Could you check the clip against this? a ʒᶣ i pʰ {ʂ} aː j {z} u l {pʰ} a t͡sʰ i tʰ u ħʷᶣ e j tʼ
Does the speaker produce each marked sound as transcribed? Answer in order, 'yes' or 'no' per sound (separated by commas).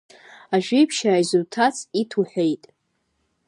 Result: no, yes, no